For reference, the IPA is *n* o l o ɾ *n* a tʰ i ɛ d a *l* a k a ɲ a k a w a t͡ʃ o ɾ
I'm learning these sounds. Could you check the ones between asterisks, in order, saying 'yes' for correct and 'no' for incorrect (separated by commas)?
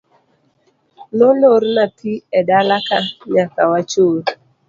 yes, yes, yes